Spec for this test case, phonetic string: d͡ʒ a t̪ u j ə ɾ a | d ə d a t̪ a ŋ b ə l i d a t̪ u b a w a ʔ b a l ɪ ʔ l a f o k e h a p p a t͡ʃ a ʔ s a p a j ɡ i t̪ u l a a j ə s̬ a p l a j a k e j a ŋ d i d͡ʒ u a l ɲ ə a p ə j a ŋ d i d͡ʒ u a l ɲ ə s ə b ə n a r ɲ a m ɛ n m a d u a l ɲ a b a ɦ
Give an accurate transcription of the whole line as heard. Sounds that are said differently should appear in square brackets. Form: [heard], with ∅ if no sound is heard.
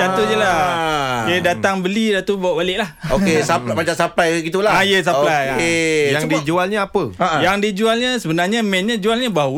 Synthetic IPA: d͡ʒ a t̪ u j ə [l] a | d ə d a t̪ a ŋ b ə l i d a t̪ u b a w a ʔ b a l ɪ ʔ l a [h] o k e [s] a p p a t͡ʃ a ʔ s a p a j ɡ i t̪ u l a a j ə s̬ a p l a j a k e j a ŋ d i d͡ʒ u a l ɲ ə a p ə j a ŋ d i d͡ʒ u a l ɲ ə s ə b ə n a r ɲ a m ɛ n [ɲ] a [d͡ʒ] u a l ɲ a b a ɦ